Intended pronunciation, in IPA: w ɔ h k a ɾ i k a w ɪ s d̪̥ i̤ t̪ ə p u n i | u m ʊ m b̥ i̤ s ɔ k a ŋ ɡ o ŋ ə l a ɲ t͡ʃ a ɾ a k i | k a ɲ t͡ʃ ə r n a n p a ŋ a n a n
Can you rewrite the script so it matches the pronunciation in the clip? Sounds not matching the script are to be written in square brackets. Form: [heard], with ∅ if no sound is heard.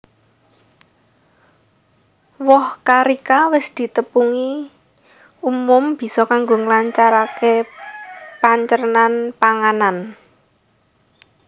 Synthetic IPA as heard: w ɔ h k a ɾ i k a w ɪ s d̪̥ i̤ t̪ ə p u [ŋ] i | u m ʊ m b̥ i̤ s ɔ k a ŋ ɡ o ŋ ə l a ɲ t͡ʃ a ɾ a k [e] | [p] a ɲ t͡ʃ ə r n a n p a ŋ a n a n